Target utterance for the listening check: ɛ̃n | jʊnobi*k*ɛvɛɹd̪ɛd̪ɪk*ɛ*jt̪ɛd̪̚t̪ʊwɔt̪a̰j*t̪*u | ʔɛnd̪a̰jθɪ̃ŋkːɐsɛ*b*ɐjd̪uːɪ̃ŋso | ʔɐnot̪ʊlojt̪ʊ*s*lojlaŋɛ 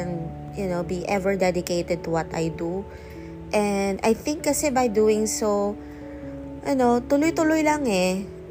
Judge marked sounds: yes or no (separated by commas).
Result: no, no, no, yes, no